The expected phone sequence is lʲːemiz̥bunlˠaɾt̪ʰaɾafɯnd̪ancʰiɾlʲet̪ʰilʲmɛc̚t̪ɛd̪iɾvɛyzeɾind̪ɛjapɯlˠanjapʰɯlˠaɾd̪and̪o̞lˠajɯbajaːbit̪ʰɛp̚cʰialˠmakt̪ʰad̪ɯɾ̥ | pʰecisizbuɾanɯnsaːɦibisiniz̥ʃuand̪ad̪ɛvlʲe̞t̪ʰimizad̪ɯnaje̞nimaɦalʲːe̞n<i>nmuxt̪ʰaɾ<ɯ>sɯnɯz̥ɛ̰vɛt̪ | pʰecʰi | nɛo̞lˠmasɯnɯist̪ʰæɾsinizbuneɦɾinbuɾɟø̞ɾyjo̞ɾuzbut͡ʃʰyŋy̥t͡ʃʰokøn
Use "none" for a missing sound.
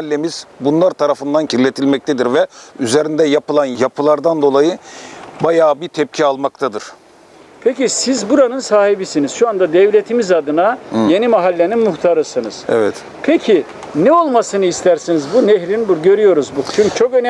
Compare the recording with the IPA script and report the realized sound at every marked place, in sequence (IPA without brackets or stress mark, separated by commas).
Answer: i, ɯ